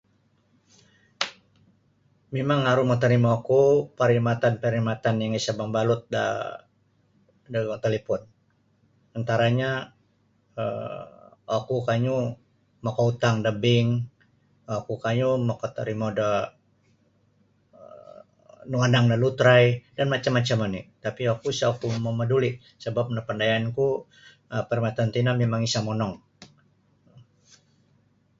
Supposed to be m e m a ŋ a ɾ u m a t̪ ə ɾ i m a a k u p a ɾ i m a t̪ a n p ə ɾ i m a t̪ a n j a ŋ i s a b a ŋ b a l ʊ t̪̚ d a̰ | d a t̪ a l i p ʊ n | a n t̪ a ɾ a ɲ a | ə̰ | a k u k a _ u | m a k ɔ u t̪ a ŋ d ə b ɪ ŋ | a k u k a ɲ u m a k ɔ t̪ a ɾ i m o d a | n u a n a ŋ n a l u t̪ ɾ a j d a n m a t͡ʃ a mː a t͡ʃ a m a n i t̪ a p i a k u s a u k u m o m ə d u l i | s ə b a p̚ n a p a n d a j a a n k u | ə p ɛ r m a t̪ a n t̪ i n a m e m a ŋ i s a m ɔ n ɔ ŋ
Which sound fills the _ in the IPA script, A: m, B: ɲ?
B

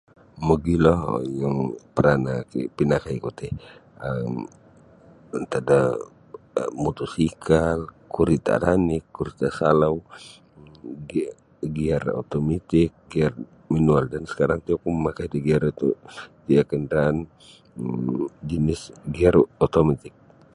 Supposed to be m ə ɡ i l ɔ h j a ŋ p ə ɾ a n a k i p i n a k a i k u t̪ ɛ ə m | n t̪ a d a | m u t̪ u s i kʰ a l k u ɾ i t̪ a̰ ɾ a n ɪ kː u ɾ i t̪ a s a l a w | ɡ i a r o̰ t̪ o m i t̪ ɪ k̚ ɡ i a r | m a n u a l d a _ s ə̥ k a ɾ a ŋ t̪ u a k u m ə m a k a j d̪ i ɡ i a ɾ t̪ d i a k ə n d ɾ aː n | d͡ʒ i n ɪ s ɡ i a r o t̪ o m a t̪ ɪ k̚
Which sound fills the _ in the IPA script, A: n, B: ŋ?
A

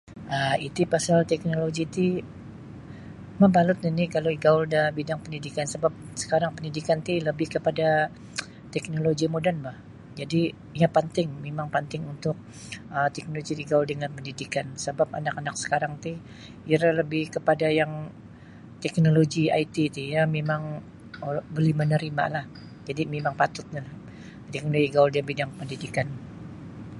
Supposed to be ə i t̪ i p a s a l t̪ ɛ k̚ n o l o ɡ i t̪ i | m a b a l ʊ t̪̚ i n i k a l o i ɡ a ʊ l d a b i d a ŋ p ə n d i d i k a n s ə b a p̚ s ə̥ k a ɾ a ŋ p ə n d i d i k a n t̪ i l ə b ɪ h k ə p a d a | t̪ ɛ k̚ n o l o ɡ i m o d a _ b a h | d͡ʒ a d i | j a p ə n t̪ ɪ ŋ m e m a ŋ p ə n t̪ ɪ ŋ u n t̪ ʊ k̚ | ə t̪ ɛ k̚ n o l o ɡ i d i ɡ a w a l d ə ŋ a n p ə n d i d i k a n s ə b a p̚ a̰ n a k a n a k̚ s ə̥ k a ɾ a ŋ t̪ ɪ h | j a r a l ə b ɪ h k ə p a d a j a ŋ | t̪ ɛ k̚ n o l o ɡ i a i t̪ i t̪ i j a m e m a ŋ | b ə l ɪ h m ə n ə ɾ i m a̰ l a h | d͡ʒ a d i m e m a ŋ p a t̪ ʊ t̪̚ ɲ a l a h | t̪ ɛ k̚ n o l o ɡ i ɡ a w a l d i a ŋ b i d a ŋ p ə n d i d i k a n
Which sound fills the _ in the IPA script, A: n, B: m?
A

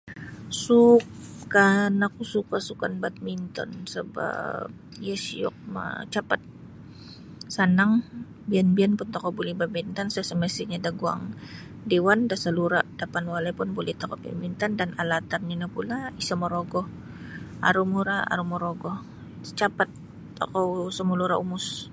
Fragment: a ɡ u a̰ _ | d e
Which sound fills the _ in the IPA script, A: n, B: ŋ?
B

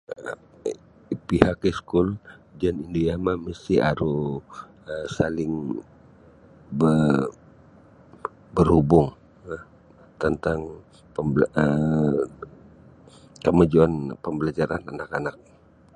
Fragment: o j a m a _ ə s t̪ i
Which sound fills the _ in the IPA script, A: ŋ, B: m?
B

